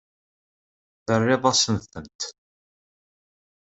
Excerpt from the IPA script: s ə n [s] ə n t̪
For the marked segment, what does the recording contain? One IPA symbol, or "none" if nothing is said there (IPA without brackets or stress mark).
θ